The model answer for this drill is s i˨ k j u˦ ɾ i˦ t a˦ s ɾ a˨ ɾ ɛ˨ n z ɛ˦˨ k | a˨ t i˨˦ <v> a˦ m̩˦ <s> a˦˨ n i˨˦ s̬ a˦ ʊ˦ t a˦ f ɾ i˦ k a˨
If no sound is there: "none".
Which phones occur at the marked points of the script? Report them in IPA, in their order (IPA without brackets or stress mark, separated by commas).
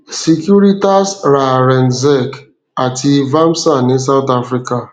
v, s